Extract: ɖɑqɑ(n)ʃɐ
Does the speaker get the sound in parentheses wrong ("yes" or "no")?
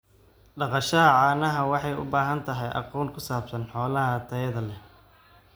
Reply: yes